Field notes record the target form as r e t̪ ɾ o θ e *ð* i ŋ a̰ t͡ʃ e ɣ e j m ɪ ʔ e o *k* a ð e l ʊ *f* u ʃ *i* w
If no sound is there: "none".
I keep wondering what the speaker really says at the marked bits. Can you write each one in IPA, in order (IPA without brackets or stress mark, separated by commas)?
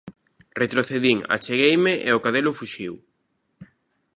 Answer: ð, k, f, i